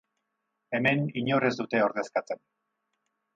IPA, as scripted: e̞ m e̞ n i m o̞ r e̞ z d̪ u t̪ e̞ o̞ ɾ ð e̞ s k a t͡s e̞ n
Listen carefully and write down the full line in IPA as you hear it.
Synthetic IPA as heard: e̞ m e̞ n i ɲ o̞ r e̞ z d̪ u t̪ e̞ o̞ ɾ ð e̞ s k a t͡s e̞ n

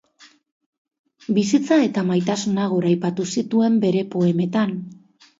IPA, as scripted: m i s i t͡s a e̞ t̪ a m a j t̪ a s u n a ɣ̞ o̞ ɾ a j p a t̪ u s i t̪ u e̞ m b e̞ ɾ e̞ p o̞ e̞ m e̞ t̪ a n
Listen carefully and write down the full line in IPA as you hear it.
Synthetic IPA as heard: b i s i t͡s a e̞ t̪ a m a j t̪ a s u n a ɣ̞ o̞ ɾ a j p a t̪ u s i t̪ u e̞ m b e̞ ɾ e̞ p o̞ e̞ m e̞ t̪ a n

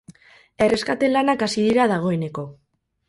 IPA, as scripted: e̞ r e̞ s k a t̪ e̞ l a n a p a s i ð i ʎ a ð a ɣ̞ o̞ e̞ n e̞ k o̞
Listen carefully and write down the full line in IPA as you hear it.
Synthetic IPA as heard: e̞ r e̞ s k a t̪ e̞ l a n a k a s i ð i ɾ a ð a ɣ̞ o̞ e̞ n e̞ k o̞

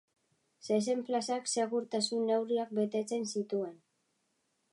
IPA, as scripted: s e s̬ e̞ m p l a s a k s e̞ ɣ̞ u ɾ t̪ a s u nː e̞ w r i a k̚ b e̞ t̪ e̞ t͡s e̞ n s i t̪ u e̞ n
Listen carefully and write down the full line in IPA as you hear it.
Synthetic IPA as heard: s e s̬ e̞ m p l a s a k s e̞ ɣ̞ u ɾ t̪ a s u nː e̞ w r i a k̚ b e̞ t̪ e̞ t͡s e̞ n s i t̪ u e̞ n

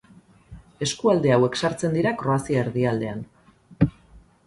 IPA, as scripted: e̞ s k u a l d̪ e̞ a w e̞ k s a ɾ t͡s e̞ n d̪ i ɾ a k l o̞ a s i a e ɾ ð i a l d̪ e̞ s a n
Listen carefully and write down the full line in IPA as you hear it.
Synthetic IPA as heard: e̞ s k u a l d̪ e̞ a w e̞ k s a ɾ t͡s e̞ n d̪ i ɾ a k ɾ o̞ a s i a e ɾ ð i a l d̪ e̞ a n

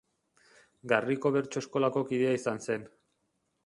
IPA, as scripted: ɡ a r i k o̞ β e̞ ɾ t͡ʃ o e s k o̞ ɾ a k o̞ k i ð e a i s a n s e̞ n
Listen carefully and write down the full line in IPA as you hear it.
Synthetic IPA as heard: ɡ a r i k o̞ β e̞ ɾ t͡ʃ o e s k o̞ l a k o̞ k i ð e a i s a n s e̞ n

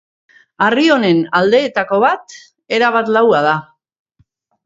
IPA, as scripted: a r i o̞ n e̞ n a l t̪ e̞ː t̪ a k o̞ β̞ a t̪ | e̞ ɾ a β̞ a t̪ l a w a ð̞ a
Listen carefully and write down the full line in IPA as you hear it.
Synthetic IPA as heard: a r i o̞ n e̞ n a l d̪ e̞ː t̪ a k o̞ β̞ a t̪ | e̞ ɾ a β̞ a t̪ l a w a ð̞ a

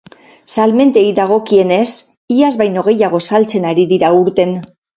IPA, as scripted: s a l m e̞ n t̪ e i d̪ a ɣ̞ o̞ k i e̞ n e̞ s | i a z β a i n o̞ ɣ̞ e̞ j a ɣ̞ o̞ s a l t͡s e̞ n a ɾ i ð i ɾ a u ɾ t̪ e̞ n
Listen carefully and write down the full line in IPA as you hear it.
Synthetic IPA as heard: s a l m e̞ n t̪ e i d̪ a ɣ̞ o̞ k i e̞ n e̞ s | i a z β a j n o̞ ɣ̞ e̞ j a ɣ̞ o̞ s a l t͡s e̞ n a ɾ i ð i ɾ a u ɾ t̪ e̞ n

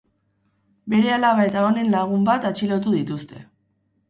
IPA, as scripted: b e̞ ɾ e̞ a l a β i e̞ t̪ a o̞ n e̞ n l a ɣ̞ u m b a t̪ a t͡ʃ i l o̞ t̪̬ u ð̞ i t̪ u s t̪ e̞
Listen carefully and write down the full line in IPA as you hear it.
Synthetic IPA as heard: b e̞ ɾ e̞ a l a β a e̞ t̪ a o̞ n e̞ n l a ɣ̞ u m b a t̪ a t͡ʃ i l o̞ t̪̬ u ð̞ i t̪ u s t̪ e̞

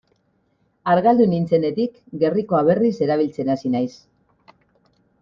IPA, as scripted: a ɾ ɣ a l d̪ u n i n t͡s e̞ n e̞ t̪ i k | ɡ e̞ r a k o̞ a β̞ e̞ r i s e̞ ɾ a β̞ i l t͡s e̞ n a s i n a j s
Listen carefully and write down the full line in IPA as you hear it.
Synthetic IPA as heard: a ɾ ɣ a l d̪ u n i n t͡s e̞ n e̞ t̪ i k | ɡ e̞ r i k o̞ a β̞ e̞ r i s e̞ ɾ a β̞ i l t͡s e̞ n a s i n a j s

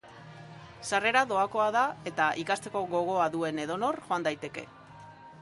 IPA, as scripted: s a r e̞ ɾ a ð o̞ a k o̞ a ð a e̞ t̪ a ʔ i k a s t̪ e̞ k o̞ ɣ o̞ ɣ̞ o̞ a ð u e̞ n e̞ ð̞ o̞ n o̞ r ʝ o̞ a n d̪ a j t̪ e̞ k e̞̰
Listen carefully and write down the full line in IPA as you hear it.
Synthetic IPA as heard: s a r e̞ ɾ a ð o̞ a k o̞ a ð a e̞ t̪ a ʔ i k a s t̪ e̞ k o̞ ɣ o̞ ɣ̞ o̞ a ð u e̞ n e̞ ð̞ o̞ n o̞ r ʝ o̞ a n d̪ a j t̪ e̞ k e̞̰

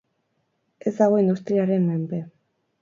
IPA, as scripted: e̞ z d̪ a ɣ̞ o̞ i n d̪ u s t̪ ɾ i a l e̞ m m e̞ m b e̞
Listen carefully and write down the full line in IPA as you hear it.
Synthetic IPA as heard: e̞ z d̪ a ɣ̞ o̞ i n d̪ u s t̪ ɾ i a ɾ e̞ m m e̞ m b e̞

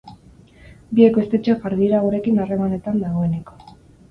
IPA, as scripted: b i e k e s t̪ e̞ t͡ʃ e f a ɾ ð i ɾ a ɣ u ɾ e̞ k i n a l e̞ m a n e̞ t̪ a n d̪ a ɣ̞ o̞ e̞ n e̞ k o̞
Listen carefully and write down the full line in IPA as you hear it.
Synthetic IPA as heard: b i e k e s t̪ e̞ t͡ʃ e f a ɾ ð i ɾ a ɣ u ɾ e̞ k i n a r e̞ m a n e̞ t̪ a n d̪ a ɣ̞ o̞ e̞ n e̞ k o̞

